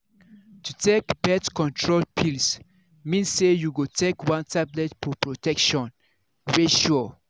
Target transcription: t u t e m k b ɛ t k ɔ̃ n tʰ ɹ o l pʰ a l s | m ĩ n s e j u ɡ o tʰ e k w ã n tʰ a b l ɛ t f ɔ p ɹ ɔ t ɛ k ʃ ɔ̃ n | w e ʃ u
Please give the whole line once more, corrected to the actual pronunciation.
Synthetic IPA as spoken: t u t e k b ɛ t k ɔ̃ n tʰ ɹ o l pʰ i l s | m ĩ n s e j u ɡ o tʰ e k w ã n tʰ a b l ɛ t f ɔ p ɹ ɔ t ɛ k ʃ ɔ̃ n | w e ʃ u